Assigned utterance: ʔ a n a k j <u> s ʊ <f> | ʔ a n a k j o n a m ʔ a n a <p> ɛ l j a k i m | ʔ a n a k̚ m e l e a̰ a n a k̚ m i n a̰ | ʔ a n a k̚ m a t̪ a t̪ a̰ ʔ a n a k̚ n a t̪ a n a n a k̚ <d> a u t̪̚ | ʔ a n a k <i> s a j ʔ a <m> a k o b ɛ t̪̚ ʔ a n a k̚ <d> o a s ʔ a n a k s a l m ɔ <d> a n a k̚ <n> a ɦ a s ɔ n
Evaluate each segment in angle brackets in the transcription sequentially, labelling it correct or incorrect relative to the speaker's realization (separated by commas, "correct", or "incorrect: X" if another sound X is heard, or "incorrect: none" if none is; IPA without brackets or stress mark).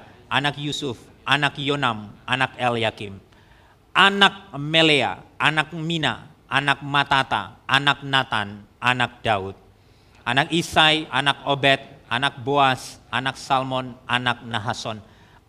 correct, correct, incorrect: k, correct, correct, incorrect: n, incorrect: b, incorrect: n, correct